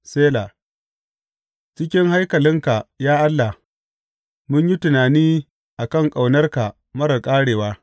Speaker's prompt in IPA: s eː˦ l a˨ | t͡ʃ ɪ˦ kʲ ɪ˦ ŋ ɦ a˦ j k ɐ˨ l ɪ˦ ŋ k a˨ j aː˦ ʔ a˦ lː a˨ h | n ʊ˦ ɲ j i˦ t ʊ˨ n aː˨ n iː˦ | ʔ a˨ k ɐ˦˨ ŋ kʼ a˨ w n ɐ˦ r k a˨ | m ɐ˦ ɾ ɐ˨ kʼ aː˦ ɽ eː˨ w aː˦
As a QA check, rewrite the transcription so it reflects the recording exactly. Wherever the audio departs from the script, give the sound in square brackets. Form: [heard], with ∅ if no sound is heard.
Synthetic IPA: s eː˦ l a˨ | t͡ʃ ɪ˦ kʲ ɪ˦ ŋ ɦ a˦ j k ɐ˨ l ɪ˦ ŋ k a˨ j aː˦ ʔ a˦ lː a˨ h | [m] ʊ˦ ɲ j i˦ t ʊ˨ n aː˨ n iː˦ | ʔ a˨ k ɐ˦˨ ŋ kʼ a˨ w n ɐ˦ r k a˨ | m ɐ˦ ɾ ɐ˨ kʼ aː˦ ɽ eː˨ w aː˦